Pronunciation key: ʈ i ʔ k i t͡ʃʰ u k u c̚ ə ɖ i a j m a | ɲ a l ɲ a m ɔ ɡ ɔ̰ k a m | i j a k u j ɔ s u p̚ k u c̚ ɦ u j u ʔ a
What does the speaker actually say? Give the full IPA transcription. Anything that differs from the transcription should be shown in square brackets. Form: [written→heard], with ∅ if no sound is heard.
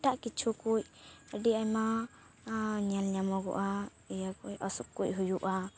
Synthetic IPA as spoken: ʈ [i→a] ʔ k i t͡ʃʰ u k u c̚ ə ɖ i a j m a | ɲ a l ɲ a m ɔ ɡ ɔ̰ [k→ʔ] a [m→∅] | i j a k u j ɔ s u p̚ k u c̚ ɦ u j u ʔ a